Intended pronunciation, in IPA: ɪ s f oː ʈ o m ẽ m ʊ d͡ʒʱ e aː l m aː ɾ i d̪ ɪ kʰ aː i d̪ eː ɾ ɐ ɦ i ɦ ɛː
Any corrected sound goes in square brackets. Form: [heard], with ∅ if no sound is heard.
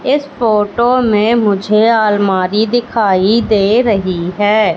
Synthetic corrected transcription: ɪ s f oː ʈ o m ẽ m ʊ d͡ʒʱ e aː l m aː ɾ i d̪ ɪ kʰ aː i d̪ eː ɾ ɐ ɦ i ɦ ɛː